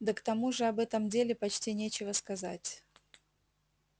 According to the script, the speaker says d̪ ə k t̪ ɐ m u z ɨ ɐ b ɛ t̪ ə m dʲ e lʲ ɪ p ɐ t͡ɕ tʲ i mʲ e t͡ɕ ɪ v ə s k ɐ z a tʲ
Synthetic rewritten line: d̪ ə k t̪ ɐ m u ʐ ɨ ɐ b ɛ t̪ ə m dʲ e lʲ ɪ p ɐ t͡ɕ tʲ i nʲ e t͡ɕ ɪ v ə s k ɐ z a tʲ

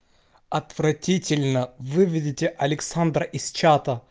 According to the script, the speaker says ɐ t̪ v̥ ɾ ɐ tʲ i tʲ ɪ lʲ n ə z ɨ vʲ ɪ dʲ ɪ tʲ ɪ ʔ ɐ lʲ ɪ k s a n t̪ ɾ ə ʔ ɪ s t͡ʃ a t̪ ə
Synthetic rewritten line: ɐ t̪ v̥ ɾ ɐ tʲ i tʲ ɪ lʲ n ə v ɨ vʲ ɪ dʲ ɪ tʲ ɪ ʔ ɐ lʲ ɪ k s a n d̪ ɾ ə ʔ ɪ s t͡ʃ a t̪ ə

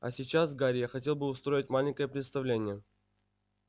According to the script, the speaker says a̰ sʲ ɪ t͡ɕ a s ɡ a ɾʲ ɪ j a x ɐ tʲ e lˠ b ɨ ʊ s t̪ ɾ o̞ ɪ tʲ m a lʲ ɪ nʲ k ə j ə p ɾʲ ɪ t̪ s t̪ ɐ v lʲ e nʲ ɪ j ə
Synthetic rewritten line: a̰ sʲ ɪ t͡ɕ a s ɡ a ɾʲ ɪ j a x ɐ tʲ e lˠ b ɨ ʊ s t̪ ɾ o̞ ɪ tʲ m a lʲ ɪ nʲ k ə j ə p ɾʲ ɪ t̪ s t̪ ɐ v lʲ e nʲ ɪ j ə

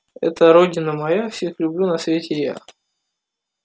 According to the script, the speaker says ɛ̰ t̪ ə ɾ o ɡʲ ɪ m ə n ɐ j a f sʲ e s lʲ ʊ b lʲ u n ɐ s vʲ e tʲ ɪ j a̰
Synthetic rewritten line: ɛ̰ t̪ ə ɾ o dʲ ɪ n ə m ɐ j a f sʲ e x lʲ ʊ b lʲ u n ɐ s vʲ e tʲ ɪ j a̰

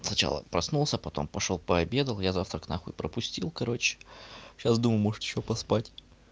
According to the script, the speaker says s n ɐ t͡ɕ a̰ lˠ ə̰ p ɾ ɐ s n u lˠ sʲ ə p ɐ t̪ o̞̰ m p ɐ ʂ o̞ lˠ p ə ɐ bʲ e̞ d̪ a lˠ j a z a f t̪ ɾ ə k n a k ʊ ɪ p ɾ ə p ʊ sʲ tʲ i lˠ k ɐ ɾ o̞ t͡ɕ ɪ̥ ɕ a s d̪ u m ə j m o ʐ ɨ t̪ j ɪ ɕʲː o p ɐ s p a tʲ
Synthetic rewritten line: s n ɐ t͡ɕ a̰ lˠ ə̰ p ɾ ɐ s n u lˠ sʲ ə p ɐ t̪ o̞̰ m p ɐ ʂ o̞ lˠ p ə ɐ bʲ e̞ d̪ ə lˠ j a z a f t̪ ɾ ə k n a x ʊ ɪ p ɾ ə p ʊ sʲ tʲ i lˠ k ɐ ɾ o̞ t͡ɕ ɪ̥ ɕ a s d̪ u m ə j m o ʐ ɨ t̪ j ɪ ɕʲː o p ɐ s p a tʲ

